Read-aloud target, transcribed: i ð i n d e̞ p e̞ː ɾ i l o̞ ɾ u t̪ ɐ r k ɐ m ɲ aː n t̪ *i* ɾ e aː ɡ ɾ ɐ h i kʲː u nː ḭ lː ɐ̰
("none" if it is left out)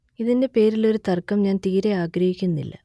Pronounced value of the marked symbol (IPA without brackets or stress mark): iː